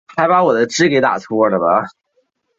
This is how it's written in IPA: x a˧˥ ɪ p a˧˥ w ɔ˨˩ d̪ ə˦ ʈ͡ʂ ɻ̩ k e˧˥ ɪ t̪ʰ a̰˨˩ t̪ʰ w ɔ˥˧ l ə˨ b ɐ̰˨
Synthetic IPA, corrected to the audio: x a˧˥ ɪ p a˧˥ w ɔ˨˩ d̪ ə˦ ʈ͡ʂ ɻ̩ k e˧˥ ɪ t̪ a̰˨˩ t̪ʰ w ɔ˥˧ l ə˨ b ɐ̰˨